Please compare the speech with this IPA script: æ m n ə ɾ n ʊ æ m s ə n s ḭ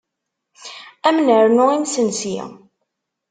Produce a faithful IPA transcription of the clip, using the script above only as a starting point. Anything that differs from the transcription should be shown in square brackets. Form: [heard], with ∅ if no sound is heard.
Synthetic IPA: æ m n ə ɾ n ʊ [i] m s ə n s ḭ